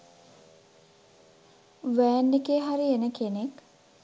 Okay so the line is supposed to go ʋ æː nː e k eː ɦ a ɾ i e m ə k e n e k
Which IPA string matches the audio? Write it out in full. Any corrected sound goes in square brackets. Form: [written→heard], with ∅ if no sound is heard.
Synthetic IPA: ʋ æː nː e k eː ɦ a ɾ i e [m→n] ə k e n e k